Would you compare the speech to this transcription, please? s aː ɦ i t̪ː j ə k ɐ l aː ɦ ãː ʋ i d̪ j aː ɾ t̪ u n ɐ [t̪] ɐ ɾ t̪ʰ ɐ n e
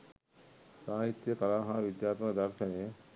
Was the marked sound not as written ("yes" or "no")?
yes